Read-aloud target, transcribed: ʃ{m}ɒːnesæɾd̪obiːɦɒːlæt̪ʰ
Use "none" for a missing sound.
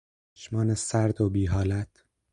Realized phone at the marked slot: m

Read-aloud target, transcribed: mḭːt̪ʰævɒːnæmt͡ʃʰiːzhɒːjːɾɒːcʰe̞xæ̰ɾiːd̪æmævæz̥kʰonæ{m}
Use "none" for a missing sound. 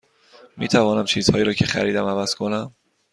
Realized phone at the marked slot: m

